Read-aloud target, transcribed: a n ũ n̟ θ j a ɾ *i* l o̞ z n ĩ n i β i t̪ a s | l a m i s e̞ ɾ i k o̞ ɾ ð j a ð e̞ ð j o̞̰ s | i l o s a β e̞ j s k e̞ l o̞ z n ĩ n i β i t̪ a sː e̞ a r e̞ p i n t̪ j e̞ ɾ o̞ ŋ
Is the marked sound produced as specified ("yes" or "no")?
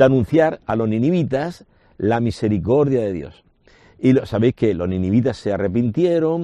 no